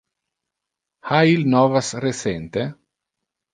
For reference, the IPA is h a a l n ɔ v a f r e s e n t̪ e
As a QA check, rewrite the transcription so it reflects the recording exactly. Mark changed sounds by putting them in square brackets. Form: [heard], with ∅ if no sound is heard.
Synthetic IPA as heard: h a [i] l n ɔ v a [s] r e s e n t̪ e